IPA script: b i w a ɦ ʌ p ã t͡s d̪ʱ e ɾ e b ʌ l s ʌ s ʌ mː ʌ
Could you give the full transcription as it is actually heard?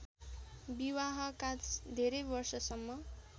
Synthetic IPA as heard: b i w a ɦ ʌ k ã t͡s d̪ʱ e ɾ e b ʌ r s ʌ s ʌ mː ʌ